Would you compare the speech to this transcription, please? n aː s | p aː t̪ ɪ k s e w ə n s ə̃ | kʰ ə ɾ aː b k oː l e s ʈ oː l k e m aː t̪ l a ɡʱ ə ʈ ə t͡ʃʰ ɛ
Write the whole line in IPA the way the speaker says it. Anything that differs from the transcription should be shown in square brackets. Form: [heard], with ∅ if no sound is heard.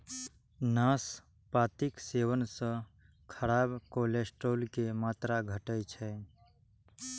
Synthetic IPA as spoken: n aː s | p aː t̪ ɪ k s e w ə n s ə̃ | kʰ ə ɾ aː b k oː l e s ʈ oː l k e m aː t̪ [ɾ] a ɡʱ ə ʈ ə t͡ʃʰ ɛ